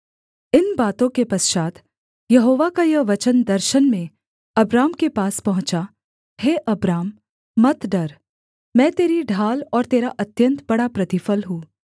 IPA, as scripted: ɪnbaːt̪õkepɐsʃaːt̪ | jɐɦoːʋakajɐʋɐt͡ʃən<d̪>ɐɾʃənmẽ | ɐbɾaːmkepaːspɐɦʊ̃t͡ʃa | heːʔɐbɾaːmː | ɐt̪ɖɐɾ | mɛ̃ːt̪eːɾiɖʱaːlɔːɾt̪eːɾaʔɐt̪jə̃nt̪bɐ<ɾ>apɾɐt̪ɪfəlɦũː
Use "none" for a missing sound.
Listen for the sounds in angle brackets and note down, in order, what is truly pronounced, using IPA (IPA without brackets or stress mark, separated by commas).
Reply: d̪, ɽ